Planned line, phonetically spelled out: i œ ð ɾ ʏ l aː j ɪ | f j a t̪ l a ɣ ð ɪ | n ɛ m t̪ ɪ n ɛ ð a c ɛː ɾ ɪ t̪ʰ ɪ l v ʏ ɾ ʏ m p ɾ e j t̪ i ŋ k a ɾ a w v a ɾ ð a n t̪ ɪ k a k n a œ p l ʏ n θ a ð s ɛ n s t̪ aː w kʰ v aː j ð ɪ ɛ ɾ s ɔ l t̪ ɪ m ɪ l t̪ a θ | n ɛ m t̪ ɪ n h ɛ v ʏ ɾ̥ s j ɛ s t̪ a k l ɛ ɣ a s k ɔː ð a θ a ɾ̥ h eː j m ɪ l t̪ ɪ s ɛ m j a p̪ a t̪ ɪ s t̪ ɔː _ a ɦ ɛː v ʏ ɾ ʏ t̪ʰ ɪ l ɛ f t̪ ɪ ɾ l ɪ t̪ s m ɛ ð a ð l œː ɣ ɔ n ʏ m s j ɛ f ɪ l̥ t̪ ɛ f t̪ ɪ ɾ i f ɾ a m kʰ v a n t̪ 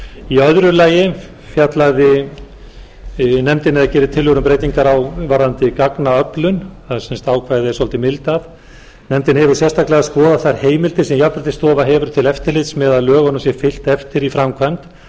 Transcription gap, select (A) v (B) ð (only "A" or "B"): A